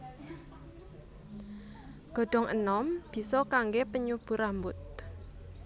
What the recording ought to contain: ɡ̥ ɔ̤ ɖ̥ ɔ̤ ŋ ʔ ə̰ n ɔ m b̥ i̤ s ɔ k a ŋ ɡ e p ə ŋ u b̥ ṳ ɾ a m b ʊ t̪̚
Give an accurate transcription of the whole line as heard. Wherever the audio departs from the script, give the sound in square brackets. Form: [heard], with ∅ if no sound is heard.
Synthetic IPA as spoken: ɡ̥ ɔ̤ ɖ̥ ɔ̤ ŋ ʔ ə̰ n ɔ m b̥ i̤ s ɔ k a ŋ ɡ e p ə [ɲ] u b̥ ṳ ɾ a m b ʊ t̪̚